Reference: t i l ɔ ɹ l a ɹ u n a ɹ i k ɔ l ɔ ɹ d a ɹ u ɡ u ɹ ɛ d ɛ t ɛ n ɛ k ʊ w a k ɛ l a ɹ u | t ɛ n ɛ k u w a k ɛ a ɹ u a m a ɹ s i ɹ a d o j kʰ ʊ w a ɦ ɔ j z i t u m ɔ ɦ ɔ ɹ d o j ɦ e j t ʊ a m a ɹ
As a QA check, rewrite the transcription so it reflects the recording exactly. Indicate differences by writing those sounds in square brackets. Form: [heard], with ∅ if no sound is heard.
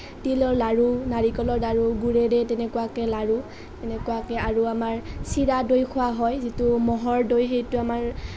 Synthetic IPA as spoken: t i l ɔ ɹ l a ɹ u n a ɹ i k ɔ l ɔ ɹ d a ɹ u ɡ u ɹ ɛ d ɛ t ɛ n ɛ k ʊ w a k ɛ l a ɹ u | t ɛ n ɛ k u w a k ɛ a ɹ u a m a ɹ s i ɹ a d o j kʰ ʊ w a ɦ ɔ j z i t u m ɔ ɦ ɔ ɹ d o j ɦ e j t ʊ a m a ɹ